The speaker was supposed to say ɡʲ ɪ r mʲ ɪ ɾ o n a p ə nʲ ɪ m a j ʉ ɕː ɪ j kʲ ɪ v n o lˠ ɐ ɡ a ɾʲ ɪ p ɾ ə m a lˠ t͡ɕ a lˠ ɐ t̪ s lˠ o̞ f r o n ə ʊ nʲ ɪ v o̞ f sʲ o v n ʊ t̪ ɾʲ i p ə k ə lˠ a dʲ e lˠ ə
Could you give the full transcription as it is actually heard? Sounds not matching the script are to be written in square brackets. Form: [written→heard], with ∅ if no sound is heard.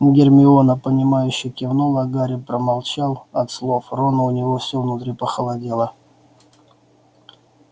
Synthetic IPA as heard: ɡʲ ɪ r mʲ ɪ [ɾ→∅] o n [a→ə] p ə nʲ ɪ m a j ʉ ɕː ɪ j kʲ ɪ v n o lˠ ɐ ɡ a ɾʲ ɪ p ɾ ə m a lˠ t͡ɕ a lˠ ɐ t̪ s lˠ o̞ f r o n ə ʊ nʲ ɪ v o̞ f sʲ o v n ʊ t̪ ɾʲ i p ə [k→x] ə lˠ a dʲ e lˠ ə